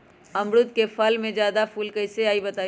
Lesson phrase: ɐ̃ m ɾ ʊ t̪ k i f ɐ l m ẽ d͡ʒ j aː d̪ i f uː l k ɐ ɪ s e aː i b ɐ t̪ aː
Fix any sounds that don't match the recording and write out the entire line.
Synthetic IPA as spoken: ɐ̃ m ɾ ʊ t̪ k e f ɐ l m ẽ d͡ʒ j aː d̪ a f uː l k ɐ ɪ s e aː i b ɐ t̪ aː